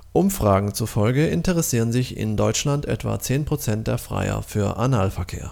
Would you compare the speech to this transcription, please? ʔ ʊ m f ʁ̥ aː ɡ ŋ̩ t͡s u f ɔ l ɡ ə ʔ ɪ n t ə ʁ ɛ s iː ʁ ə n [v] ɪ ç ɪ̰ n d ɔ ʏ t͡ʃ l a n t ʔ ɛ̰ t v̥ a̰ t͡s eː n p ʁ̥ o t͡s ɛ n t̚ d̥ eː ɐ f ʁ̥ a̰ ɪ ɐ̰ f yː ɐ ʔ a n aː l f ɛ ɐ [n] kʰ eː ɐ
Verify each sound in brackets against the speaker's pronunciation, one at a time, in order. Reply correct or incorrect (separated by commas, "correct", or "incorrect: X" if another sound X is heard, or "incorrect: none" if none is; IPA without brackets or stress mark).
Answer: incorrect: z, incorrect: none